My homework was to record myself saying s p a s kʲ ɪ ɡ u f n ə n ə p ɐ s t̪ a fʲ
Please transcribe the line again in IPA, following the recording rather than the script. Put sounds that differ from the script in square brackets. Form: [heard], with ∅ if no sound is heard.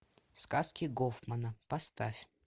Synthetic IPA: s [k] a s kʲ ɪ ɡ [o] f [m] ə n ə p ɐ s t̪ a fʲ